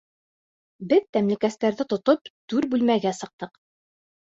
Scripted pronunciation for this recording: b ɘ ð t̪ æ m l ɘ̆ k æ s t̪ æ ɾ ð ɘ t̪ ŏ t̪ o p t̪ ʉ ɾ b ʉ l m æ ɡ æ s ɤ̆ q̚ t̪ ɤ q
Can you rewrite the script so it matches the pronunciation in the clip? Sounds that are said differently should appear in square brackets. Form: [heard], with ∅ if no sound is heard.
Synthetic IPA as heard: b ɘ ð t̪ æ m l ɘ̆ k æ s t̪ æ ɾ ð ɘ t̪ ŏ t̪ o p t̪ ʉ ɾ b ʉ l m æ ɡ æ s ɤ̆ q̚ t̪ ɤ q